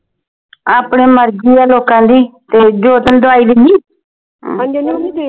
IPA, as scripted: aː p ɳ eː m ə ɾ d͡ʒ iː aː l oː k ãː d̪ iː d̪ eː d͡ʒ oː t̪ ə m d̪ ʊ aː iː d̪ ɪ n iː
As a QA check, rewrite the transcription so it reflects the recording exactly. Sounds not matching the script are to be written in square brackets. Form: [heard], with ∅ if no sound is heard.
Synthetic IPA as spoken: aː p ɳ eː m ə ɾ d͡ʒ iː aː l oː k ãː d̪ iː [t̪] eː d͡ʒ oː t̪ ə [n] d̪ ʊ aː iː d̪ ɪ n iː